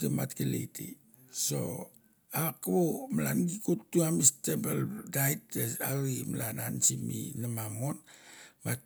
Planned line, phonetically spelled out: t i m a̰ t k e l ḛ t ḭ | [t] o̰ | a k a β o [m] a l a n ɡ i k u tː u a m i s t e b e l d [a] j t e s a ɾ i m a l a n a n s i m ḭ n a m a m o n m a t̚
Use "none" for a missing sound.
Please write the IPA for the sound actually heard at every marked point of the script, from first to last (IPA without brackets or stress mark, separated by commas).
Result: s, m, a